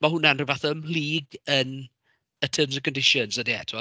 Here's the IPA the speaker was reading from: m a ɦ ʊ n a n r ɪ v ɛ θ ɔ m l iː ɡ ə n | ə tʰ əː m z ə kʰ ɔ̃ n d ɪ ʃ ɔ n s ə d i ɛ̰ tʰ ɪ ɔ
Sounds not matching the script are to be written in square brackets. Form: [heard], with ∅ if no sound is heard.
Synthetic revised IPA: m a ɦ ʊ n a n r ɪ v [a] θ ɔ m l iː ɡ ə n | ə tʰ əː m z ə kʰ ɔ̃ n d ɪ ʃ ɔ n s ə d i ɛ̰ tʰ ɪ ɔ